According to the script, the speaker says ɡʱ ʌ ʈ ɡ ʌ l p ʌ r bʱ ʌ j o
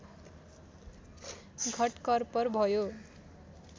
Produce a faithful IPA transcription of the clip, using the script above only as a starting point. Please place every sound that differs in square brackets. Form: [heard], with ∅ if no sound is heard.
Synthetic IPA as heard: ɡʱ ʌ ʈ [k] ʌ [r] p ʌ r bʱ ʌ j o